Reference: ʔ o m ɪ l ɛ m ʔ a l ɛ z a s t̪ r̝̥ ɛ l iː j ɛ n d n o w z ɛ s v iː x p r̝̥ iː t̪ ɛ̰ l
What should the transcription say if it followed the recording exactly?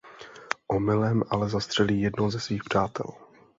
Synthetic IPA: ʔ o m ɪ l ɛ m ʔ a l ɛ z a s t̪ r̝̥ ɛ l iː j ɛ d n o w z ɛ s v iː x p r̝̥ aː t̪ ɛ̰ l